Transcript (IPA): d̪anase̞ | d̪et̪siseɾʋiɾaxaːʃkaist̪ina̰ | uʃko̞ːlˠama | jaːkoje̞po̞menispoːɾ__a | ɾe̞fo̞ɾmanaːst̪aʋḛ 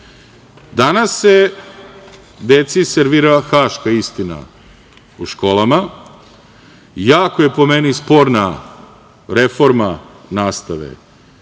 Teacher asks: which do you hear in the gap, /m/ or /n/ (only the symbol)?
n